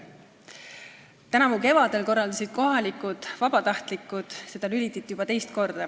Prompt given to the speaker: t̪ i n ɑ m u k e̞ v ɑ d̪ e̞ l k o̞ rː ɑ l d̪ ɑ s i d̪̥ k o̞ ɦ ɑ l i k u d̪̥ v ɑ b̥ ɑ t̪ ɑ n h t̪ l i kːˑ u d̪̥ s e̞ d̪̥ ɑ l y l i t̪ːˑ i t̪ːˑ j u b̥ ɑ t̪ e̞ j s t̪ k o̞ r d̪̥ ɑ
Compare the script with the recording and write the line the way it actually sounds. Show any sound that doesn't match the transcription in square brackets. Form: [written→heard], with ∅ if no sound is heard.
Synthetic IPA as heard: t̪ [i→æ] n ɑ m u k e̞ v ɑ d̪ e̞ l k o̞ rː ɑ l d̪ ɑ s i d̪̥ k o̞ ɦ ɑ l i k u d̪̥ v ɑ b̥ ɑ t̪ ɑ [n→∅] h t̪ l i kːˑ u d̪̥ s e̞ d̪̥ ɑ l y l i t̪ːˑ i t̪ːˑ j u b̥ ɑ t̪ e̞ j s t̪ k o̞ r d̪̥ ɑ